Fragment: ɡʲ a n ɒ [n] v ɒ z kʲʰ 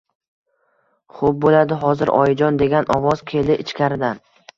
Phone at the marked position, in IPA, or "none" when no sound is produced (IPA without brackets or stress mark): none